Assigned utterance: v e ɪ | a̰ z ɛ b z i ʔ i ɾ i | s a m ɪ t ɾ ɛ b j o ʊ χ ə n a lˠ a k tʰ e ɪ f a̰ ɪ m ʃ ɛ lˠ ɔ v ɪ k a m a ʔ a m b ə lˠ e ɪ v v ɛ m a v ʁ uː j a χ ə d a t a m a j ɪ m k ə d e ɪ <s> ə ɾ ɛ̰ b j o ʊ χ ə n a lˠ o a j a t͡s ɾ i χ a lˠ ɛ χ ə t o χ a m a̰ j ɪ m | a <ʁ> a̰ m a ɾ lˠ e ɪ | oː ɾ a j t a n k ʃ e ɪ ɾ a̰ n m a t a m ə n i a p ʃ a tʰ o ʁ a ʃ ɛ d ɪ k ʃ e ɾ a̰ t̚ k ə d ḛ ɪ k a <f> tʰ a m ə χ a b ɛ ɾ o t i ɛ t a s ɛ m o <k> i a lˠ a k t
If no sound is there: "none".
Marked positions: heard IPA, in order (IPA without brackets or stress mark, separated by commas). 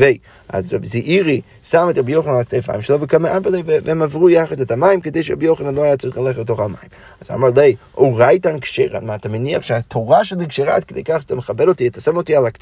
ʃ, z, χ, t